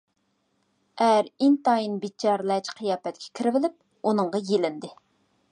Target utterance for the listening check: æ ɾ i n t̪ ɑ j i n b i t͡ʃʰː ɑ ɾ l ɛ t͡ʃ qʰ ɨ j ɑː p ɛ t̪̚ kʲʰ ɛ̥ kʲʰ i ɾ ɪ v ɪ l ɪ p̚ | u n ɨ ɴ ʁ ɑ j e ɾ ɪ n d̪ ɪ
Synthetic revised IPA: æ ɾ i n t̪ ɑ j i n b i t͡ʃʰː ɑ ɾ l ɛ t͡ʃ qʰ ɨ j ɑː p ɛ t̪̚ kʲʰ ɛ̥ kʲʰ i ɾ ɪ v ɪ l ɪ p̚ | u n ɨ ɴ ʁ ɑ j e l ɪ n d̪ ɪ